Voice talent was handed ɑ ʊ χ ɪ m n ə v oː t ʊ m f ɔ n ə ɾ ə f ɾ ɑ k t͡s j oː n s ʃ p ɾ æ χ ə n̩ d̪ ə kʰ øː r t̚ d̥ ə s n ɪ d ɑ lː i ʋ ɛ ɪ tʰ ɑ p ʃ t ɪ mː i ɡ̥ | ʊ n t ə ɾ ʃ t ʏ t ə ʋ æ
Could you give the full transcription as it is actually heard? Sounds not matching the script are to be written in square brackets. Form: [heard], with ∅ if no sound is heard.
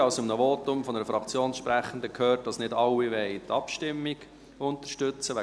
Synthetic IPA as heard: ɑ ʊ [s] ɪ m n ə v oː t ʊ m f ɔ n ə ɾ ə f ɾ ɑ k t͡s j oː n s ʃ p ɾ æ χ ə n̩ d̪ ə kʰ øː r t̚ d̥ [ɑ] s n ɪ d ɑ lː i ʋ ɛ ɪ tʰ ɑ p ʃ t ɪ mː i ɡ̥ | ʊ n t ə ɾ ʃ t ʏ [t͡s] ə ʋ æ